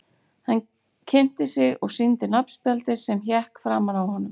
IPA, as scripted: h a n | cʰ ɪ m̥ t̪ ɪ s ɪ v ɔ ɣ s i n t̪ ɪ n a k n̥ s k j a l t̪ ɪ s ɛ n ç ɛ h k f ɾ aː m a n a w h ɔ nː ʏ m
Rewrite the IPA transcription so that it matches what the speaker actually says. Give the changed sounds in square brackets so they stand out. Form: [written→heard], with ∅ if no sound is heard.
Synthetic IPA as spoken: h a n | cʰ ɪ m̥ t̪ ɪ s ɪ [v→ɣ] ɔ ɣ s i n t̪ ɪ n a [k→p] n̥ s [k→p] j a l t̪ ɪ s ɛ [n→m] ç ɛ h k f ɾ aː m a n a w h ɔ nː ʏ m